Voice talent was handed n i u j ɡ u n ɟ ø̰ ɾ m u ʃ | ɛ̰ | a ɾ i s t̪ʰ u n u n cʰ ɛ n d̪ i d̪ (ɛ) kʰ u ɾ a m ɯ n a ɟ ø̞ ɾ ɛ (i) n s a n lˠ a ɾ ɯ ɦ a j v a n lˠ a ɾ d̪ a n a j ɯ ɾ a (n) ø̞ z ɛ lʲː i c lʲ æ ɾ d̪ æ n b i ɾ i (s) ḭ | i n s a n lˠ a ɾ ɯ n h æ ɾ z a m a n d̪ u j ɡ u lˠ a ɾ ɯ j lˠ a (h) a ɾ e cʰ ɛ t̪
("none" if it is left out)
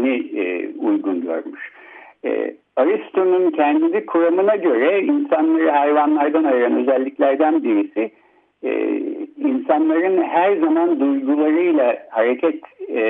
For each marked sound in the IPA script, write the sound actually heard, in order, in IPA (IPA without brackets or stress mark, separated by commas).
i, i, n, s, h